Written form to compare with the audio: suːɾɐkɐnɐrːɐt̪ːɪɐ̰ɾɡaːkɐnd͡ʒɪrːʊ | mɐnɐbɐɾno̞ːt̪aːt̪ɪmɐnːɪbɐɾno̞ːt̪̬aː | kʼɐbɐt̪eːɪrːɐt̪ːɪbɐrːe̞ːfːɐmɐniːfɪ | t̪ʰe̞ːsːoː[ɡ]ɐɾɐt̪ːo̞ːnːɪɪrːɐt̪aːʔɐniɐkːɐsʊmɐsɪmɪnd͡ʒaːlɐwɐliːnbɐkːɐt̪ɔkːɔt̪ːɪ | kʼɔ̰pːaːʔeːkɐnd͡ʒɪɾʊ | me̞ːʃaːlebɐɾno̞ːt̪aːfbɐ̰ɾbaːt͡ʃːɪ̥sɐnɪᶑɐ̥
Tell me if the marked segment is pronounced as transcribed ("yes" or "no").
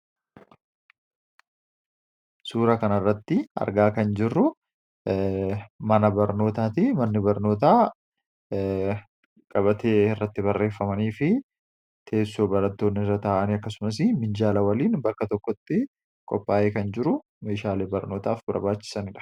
no